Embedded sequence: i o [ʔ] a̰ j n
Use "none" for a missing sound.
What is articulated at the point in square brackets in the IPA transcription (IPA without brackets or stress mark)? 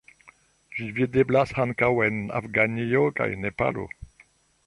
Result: k